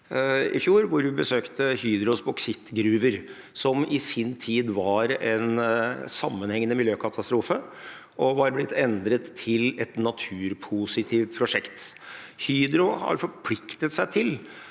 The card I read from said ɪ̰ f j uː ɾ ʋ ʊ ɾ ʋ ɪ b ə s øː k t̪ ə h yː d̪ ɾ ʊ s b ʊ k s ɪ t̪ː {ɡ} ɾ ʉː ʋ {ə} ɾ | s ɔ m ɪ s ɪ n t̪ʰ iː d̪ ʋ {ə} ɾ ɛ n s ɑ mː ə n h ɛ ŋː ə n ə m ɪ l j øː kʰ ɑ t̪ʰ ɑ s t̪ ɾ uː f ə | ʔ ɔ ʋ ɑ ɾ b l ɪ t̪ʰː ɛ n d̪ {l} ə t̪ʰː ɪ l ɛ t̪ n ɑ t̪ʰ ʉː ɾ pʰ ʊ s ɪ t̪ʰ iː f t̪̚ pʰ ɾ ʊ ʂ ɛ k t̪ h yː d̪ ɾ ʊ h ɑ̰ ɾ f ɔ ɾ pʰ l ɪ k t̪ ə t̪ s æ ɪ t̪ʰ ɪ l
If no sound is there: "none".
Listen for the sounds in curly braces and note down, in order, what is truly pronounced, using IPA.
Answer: ɡ, ə, ɑ, ɾ

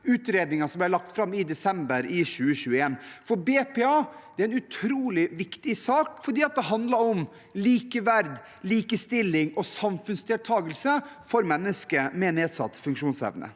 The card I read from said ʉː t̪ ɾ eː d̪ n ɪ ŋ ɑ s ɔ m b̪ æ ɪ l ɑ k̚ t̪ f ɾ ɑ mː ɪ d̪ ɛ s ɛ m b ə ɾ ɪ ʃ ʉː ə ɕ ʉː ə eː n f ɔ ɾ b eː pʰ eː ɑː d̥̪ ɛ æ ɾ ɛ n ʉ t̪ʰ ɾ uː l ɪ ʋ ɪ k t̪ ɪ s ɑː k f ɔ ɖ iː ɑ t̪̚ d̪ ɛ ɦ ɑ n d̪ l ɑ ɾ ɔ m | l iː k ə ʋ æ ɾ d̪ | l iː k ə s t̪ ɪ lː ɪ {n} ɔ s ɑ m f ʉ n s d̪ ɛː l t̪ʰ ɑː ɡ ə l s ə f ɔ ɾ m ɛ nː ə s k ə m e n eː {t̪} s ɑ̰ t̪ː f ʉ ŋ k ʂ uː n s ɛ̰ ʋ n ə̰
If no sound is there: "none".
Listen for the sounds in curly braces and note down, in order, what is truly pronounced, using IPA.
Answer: ŋ, d̪

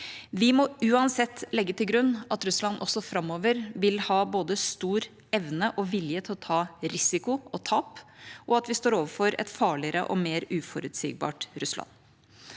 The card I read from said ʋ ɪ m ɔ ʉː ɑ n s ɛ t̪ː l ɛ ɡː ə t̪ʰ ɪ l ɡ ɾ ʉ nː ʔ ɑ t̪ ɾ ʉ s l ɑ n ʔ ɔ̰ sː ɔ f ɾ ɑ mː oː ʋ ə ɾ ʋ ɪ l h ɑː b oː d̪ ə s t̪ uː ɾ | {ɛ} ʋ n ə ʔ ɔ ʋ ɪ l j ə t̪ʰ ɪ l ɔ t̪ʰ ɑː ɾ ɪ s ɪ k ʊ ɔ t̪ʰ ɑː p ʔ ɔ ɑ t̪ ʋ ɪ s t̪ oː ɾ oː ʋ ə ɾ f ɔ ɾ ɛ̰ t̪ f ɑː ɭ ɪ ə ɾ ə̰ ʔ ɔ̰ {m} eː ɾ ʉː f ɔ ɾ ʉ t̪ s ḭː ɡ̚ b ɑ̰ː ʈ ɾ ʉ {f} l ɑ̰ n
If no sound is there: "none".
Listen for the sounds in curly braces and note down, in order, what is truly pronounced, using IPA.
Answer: ɛ, m, s

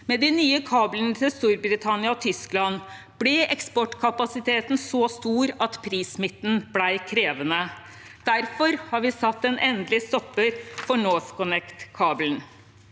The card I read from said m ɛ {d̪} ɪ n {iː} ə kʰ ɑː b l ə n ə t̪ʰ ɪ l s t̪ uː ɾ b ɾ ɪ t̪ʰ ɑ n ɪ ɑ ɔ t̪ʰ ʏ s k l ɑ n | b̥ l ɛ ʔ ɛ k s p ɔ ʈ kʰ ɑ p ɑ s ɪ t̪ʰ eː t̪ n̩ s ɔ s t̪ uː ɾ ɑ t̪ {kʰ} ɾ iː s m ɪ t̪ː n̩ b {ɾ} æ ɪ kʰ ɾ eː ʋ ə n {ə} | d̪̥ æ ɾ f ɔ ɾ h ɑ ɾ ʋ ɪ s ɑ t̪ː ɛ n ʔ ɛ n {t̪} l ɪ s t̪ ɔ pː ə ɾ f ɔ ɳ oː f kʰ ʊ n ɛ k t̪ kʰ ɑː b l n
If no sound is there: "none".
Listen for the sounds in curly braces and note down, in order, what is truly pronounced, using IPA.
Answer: d̪, yː, pʰ, l, ə, d̪

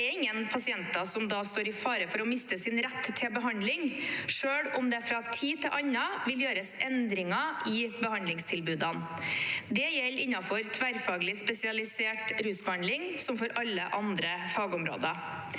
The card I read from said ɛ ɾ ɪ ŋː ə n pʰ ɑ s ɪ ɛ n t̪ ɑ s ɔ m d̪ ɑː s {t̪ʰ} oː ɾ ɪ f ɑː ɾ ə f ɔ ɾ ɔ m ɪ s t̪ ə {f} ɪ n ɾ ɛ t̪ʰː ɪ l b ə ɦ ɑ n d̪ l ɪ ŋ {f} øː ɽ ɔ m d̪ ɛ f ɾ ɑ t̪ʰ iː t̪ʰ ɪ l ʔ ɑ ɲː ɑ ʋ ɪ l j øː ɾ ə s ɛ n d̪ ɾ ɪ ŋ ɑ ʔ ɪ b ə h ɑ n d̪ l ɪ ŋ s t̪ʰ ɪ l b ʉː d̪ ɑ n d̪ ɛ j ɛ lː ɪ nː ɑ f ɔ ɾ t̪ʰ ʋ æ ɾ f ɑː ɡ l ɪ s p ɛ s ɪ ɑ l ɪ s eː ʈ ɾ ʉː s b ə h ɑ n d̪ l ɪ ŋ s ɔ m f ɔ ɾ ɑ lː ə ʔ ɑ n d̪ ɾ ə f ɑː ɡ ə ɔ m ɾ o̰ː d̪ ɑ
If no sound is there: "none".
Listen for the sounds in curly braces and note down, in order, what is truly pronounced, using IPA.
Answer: t̪, s, ʂ

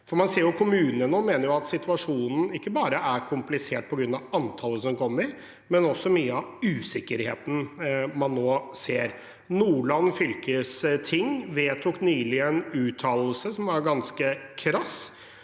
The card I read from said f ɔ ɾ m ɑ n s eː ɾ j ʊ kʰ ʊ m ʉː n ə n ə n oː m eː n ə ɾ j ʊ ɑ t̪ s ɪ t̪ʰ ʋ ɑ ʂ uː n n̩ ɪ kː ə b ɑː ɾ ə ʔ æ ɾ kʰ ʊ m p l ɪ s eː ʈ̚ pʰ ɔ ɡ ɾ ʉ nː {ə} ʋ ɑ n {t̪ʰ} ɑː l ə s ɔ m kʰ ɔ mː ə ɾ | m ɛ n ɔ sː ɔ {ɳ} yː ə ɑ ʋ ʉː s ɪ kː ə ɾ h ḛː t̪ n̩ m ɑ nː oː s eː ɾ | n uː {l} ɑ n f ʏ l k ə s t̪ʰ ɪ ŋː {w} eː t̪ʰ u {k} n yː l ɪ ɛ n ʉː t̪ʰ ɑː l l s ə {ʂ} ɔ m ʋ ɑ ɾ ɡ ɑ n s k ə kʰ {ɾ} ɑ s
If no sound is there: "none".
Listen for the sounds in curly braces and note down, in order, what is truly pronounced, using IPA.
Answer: ɑ, t̪ʰ, m, ɭ, ʋ, k, s, ɾ

